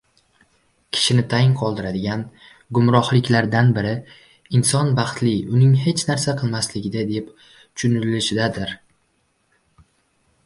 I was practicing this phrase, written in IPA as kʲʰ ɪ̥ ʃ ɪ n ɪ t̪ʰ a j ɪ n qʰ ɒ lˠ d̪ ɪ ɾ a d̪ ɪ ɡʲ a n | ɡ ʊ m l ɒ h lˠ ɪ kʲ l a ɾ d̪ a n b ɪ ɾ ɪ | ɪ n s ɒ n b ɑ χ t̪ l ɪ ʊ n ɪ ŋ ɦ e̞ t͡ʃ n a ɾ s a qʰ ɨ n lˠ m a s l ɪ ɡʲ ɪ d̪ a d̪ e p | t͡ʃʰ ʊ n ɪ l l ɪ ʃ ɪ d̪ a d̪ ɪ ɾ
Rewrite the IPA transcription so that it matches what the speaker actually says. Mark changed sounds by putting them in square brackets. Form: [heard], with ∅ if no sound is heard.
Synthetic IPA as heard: kʲʰ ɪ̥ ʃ ɪ n ɪ t̪ʰ a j ɪ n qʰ ɒ lˠ d̪ ɪ ɾ a d̪ ɪ ɡʲ a n | ɡ ʊ m [ɾ] ɒ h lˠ ɪ kʲ l a ɾ d̪ a n b ɪ ɾ ɪ | ɪ n s ɒ n b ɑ χ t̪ l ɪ ʊ n ɪ ŋ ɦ e̞ t͡ʃ n a ɾ s a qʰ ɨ [∅] lˠ m a s l ɪ ɡʲ ɪ d̪ a d̪ e p | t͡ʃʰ ʊ n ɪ l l ɪ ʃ ɪ d̪ a d̪ ɪ ɾ

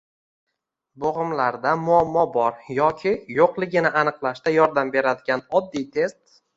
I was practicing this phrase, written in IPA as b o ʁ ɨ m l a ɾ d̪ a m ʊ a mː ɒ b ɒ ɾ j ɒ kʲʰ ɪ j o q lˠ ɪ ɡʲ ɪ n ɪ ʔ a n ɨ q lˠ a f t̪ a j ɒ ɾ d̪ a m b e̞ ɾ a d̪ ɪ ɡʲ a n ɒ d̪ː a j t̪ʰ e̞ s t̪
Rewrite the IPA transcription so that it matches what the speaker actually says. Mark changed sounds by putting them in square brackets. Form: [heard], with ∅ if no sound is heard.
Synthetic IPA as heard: b o ʁ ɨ m l a ɾ d̪ a m ʊ a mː ɒ b ɒ ɾ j ɒ kʲʰ ɪ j o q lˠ ɪ ɡʲ ɪ n ɪ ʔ a n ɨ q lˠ a [ʃ] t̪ a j ɒ ɾ d̪ a m b e̞ ɾ a d̪ ɪ ɡʲ a n ɒ d̪ː [i] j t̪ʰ e̞ s t̪

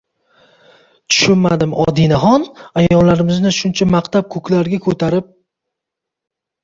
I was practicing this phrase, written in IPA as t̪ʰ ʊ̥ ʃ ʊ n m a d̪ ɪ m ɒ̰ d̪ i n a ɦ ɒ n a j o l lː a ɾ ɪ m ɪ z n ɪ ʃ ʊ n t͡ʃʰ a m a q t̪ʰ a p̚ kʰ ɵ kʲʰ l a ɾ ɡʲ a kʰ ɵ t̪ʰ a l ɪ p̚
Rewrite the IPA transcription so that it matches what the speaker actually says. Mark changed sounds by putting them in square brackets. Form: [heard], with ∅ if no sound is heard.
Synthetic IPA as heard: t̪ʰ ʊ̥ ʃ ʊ n m a d̪ ɪ m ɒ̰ d̪ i n a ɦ ɒ n a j [ɒ] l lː a ɾ ɪ m ɪ z n ɪ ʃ ʊ n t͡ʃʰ a m a q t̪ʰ a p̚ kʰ ɵ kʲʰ l a ɾ ɡʲ a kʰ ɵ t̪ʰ a [ɾ] ɪ p̚

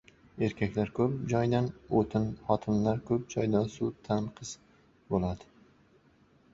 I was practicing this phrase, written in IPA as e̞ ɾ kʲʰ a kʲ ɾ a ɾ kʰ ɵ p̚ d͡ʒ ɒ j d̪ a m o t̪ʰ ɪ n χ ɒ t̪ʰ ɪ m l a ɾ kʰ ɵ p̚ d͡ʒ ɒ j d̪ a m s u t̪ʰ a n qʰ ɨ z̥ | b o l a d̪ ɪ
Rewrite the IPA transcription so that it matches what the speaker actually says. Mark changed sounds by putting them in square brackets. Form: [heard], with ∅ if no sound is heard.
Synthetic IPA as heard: e̞ ɾ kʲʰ a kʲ [l] a ɾ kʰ ɵ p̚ d͡ʒ ɒ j d̪ a [n] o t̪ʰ ɪ n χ ɒ t̪ʰ ɪ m l a ɾ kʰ ɵ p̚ d͡ʒ ɒ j d̪ a [n] s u t̪ʰ a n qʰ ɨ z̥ | b o l a d̪ ɪ

